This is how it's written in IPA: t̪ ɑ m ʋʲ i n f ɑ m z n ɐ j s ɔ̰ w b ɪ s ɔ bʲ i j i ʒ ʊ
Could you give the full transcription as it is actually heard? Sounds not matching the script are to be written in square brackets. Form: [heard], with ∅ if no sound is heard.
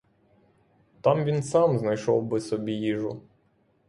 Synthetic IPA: t̪ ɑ m ʋʲ i n [s] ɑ m z n ɐ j [ʃ] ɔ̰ w b ɪ s ɔ bʲ i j i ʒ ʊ